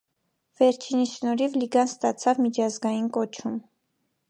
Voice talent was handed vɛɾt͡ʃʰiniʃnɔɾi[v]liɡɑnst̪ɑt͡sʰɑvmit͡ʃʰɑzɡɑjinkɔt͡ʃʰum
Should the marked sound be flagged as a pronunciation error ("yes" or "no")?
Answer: no